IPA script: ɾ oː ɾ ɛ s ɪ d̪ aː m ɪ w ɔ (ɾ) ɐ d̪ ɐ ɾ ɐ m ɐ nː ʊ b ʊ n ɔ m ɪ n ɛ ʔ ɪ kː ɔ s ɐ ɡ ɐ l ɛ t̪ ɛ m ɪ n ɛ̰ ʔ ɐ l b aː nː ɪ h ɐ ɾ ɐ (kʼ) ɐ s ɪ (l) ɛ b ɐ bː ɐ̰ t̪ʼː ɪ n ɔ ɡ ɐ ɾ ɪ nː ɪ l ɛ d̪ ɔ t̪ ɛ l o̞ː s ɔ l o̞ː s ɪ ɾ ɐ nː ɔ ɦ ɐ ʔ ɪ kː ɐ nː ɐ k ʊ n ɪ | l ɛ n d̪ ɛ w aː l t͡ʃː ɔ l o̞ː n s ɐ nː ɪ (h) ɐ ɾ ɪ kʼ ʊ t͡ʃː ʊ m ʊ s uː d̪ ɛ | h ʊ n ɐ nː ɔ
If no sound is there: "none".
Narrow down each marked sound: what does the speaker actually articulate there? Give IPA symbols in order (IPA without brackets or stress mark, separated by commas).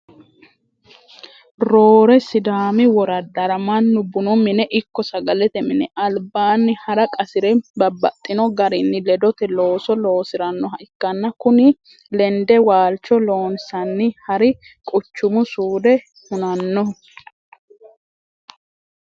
ɾ, kʼ, ɾ, h